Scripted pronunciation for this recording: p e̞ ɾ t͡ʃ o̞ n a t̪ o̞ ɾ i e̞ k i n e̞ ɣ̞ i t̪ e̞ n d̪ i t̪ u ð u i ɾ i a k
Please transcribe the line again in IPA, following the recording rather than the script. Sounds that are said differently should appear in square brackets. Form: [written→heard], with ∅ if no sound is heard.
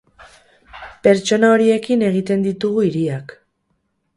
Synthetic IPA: p e̞ ɾ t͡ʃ o̞ n a [t̪→∅] o̞ ɾ i e̞ k i n e̞ ɣ̞ i t̪ e̞ n d̪ i t̪ u [ð→ɣ] u i ɾ i a k